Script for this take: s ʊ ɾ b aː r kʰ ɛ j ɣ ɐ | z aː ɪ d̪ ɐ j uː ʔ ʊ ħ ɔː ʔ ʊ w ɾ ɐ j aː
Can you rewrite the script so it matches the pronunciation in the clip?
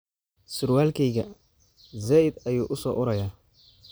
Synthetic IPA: s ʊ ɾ w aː l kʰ ɛ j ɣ ɐ | z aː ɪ d̪ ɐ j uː ʔ ʊ s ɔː ʔ ʊ ɾ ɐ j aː